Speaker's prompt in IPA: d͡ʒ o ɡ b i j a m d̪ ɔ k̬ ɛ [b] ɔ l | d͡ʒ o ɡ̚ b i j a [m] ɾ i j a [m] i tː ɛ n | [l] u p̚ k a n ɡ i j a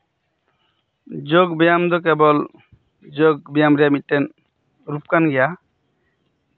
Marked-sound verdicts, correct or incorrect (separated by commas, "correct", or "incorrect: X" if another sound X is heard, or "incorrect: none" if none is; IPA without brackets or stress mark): correct, correct, correct, incorrect: ɾ